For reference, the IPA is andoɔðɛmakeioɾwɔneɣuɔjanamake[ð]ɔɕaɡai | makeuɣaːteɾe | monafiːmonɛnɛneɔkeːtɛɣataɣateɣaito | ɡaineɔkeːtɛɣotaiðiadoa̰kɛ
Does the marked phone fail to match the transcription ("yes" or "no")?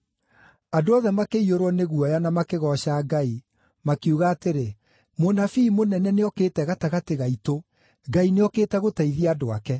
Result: yes